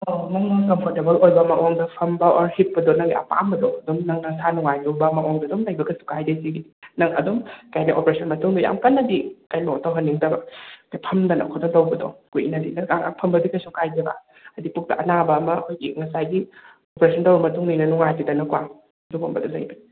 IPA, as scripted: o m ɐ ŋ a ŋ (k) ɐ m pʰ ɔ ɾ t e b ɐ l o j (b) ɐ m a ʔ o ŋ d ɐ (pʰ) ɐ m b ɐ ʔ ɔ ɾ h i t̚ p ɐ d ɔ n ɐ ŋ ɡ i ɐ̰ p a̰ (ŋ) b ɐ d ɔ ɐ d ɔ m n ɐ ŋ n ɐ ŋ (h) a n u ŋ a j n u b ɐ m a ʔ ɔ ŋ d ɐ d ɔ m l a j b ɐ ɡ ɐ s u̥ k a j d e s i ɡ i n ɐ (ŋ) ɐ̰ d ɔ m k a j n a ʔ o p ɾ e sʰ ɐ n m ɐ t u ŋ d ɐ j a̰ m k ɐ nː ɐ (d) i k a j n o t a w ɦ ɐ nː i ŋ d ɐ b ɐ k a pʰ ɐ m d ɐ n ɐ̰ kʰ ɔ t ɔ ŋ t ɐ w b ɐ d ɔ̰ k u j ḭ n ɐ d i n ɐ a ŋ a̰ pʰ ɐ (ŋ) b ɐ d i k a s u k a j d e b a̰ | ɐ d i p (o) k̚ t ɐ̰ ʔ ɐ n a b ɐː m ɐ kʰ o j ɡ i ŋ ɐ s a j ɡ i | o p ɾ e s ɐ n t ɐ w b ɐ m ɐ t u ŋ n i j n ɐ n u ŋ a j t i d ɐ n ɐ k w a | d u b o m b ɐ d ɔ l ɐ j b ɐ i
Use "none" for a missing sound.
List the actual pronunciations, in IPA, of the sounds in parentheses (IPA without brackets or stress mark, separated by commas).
k, b, pʰ, m, s, ŋ, d, m, u